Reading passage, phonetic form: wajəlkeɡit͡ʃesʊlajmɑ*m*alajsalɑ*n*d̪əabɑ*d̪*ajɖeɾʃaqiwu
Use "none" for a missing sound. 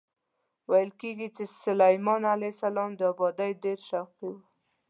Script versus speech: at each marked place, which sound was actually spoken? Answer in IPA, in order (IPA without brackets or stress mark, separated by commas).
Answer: n, m, d̪